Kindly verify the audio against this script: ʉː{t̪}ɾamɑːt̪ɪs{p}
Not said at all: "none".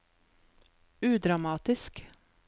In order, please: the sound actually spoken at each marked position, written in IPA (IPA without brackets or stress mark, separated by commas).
d̪, k